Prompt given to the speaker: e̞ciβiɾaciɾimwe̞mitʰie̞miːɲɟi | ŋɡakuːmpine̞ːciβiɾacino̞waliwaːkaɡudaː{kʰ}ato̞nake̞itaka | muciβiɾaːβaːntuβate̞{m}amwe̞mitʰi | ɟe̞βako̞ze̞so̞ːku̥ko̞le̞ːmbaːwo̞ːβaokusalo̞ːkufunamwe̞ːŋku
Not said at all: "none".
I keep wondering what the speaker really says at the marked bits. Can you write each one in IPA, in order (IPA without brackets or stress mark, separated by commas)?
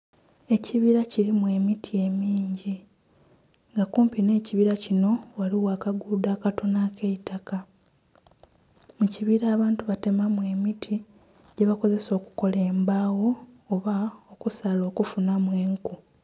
k, m